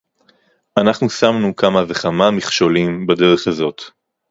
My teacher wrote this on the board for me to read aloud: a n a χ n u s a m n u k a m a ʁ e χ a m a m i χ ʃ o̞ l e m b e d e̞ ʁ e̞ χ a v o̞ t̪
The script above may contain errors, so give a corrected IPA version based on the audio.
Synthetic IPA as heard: a n a χ n u s a m n u k a m a v e χ a m a m i χ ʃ o̞ l i m b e d e̞ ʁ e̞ χ a z o̞ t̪